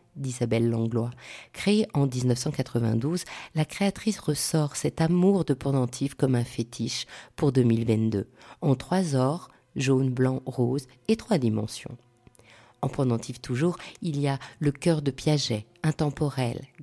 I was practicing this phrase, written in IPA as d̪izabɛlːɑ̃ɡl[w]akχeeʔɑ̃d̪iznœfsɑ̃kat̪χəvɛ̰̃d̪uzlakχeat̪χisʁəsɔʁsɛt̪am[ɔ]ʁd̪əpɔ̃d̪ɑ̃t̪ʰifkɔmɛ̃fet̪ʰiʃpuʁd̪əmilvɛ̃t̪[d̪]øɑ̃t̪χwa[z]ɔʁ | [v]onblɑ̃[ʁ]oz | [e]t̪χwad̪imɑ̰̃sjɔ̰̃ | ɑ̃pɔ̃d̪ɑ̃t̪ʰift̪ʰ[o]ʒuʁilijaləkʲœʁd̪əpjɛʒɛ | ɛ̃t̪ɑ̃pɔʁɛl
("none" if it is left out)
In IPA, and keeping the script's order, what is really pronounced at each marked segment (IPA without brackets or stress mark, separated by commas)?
w, u, d̪, z, ʒ, ʁ, e, u